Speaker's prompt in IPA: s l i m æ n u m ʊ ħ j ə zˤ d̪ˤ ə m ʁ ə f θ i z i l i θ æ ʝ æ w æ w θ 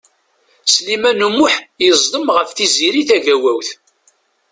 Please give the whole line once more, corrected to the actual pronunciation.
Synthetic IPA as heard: s l i m æ n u m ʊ ħ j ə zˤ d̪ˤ ə m ʁ ə f θ i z i ɾ i θ æ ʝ æ w æ w θ